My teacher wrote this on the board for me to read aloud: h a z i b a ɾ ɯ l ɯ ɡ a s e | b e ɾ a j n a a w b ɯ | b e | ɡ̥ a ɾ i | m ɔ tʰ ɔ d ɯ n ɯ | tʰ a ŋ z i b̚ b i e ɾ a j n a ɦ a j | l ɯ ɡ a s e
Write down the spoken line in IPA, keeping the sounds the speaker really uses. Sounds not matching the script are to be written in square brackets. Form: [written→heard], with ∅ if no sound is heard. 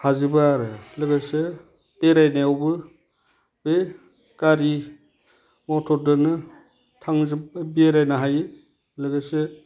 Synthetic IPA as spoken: h a z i b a ɾ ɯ l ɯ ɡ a s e | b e ɾ a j n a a w b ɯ | b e | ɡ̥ a ɾ i | m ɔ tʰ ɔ d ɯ n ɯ | tʰ a ŋ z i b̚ b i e ɾ a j n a ɦ a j | l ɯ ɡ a s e